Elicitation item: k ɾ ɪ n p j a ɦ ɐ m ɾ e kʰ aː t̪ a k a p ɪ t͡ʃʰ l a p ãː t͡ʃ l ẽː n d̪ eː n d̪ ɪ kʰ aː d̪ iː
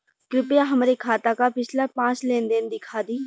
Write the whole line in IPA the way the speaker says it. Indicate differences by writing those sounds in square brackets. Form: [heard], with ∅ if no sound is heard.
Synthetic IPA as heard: k ɾ ɪ [∅] p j a ɦ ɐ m ɾ e kʰ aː t̪ a k a p ɪ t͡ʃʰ l a p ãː t͡ʃ l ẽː n d̪ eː n d̪ ɪ kʰ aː d̪ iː